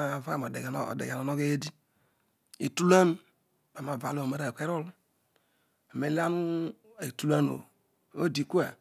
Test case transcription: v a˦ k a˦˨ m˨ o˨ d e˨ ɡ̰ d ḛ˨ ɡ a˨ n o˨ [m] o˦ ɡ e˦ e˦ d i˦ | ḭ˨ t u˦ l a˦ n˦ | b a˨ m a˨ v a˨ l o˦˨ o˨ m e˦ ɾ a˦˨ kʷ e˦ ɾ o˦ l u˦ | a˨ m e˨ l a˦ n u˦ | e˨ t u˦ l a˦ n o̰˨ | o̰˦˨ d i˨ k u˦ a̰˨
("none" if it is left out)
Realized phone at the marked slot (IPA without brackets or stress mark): n